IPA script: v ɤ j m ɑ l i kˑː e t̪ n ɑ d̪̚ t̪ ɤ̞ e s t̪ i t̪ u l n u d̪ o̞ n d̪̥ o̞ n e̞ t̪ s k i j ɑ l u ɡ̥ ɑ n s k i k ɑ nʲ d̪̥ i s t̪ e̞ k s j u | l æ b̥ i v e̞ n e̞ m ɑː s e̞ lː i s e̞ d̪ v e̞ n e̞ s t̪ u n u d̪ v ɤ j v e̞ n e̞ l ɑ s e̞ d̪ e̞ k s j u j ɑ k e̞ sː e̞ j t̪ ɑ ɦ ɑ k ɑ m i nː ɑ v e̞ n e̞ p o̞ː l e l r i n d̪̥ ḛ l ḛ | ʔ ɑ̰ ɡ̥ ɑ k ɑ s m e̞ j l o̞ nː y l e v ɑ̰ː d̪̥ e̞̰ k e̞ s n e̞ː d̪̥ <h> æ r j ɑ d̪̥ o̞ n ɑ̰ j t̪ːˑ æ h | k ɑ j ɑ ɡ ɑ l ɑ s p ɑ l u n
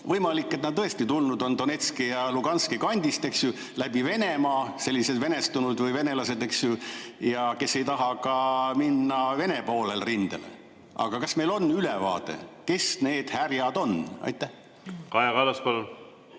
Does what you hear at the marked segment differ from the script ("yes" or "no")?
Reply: no